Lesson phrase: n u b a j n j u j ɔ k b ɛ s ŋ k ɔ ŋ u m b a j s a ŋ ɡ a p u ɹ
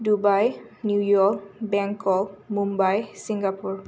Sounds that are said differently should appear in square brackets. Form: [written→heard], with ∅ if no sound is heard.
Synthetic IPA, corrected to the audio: [n→d] u b a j n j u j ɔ k b ɛ [s→∅] ŋ k ɔ [ŋ→m] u m b a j s [a→i] ŋ ɡ a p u ɹ